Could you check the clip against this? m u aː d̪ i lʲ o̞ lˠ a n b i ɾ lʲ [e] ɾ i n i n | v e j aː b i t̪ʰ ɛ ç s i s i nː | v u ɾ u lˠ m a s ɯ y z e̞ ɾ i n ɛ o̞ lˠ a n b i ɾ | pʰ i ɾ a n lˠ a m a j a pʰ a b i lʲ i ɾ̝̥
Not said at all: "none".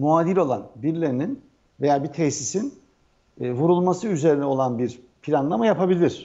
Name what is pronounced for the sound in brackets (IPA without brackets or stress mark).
e